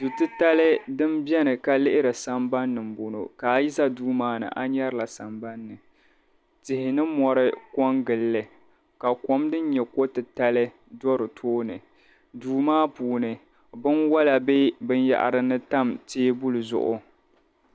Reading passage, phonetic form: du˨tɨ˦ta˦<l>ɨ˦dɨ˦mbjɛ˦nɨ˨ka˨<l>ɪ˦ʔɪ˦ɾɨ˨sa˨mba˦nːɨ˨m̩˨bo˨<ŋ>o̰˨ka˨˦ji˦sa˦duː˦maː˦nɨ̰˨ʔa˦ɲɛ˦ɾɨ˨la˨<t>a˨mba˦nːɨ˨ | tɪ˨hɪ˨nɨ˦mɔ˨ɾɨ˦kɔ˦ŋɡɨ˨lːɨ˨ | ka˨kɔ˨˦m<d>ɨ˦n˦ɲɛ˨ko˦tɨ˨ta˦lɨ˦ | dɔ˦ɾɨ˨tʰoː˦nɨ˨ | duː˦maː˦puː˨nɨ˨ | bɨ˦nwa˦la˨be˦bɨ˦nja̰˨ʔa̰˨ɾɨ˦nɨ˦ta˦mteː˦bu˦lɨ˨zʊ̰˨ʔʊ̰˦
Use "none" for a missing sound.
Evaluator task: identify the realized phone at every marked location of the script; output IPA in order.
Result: l, l, n, s, d

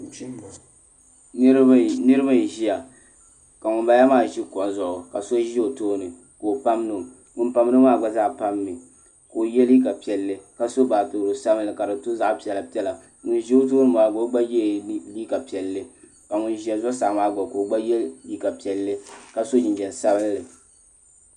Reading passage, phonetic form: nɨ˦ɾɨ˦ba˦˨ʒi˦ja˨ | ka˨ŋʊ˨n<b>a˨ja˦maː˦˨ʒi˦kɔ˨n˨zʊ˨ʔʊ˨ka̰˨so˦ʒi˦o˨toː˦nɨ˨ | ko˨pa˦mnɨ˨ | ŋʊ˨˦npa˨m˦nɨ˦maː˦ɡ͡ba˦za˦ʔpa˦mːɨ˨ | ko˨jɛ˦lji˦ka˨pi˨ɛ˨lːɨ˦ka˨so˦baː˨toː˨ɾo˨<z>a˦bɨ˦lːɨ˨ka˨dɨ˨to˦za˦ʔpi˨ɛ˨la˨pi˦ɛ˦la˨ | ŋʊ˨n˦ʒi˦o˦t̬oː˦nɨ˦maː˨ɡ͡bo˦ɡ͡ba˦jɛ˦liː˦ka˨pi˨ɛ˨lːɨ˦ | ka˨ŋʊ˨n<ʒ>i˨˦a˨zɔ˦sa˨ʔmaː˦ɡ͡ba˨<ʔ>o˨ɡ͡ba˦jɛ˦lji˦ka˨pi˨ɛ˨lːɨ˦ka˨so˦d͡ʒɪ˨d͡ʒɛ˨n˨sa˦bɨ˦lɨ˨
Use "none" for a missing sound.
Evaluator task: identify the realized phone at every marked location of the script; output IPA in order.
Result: b, s, ʒ, k

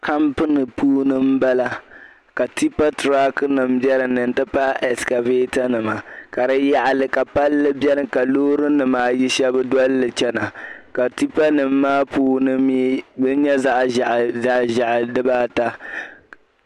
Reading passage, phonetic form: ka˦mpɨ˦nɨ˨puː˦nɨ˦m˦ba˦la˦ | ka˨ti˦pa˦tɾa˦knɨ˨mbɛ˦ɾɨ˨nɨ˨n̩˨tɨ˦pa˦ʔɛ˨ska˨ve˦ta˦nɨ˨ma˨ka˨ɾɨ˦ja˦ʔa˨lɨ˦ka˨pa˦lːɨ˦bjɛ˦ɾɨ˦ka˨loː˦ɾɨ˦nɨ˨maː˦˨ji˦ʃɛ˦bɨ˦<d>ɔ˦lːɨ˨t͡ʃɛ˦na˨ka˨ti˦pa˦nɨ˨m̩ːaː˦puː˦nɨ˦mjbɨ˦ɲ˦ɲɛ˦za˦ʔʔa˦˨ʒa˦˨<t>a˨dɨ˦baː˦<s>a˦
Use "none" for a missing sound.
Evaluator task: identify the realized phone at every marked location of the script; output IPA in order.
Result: d, ʔ, t

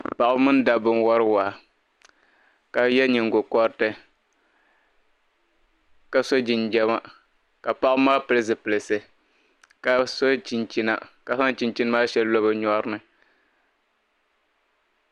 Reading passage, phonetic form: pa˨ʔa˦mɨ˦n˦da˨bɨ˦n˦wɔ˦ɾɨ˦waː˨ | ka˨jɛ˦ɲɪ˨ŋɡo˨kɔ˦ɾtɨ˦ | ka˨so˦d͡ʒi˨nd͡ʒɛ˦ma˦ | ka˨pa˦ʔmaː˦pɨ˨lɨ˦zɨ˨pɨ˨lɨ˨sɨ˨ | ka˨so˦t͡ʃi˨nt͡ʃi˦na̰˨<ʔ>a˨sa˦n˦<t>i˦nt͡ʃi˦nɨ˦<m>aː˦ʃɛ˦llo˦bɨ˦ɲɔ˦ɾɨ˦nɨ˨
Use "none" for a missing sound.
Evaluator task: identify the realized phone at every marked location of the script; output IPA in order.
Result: k, t͡ʃ, m

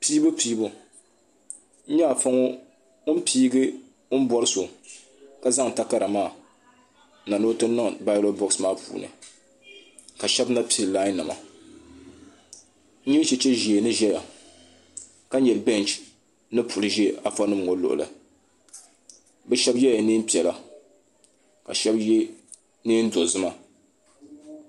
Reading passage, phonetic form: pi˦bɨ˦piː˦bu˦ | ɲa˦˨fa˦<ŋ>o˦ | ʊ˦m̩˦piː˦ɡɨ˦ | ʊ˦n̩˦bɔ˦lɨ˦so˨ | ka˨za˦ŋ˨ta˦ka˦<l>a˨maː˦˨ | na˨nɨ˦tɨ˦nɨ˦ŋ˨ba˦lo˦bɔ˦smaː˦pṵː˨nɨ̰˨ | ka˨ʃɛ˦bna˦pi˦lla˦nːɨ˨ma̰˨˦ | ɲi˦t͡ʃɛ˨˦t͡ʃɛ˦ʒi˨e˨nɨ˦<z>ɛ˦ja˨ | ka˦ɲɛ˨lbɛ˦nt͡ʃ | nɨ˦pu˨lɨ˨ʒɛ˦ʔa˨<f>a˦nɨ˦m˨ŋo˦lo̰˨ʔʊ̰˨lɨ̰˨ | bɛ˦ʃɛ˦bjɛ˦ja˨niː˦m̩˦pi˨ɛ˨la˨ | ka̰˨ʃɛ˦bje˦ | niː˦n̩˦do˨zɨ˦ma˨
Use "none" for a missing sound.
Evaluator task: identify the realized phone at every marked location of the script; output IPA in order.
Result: ŋ, ɾ, ʒ, f

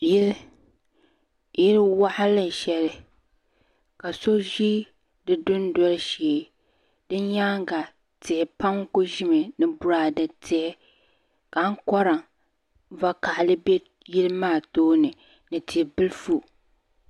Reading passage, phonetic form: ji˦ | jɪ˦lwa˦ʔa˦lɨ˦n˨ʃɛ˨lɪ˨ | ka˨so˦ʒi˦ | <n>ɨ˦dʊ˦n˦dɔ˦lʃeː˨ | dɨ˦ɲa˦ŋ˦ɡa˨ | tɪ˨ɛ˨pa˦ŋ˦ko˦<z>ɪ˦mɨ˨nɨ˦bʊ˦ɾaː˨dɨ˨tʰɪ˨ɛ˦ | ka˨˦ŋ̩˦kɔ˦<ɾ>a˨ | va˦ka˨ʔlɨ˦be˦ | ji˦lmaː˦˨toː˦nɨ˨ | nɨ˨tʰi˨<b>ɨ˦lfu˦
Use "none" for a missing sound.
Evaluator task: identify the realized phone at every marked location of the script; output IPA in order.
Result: d, ʒ, ɾ, b

